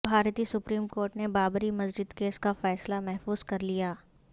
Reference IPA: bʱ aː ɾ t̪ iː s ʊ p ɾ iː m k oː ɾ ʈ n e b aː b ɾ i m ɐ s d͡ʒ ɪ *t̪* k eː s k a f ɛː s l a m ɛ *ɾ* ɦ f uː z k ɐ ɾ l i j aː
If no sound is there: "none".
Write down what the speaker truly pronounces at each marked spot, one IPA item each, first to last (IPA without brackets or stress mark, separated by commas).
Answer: d̪, none